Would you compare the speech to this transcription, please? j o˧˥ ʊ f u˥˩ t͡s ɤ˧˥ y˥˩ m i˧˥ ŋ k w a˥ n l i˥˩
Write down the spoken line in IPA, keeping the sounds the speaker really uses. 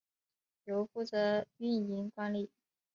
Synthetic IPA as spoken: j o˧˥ ʊ f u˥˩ t͡s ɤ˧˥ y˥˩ n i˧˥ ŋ k w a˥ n l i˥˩